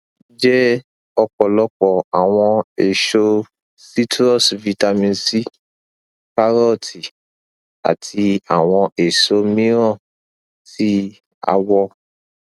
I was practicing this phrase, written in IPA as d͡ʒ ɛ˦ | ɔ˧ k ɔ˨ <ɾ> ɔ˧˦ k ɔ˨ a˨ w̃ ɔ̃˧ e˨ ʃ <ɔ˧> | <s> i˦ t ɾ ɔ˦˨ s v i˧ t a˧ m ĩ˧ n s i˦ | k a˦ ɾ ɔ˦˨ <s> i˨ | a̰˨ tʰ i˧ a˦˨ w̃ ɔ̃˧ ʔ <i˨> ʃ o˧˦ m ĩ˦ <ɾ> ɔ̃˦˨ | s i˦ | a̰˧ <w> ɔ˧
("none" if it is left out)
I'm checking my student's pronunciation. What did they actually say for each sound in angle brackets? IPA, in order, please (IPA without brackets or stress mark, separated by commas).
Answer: l, o˧, s, t, e˨, ɾ, w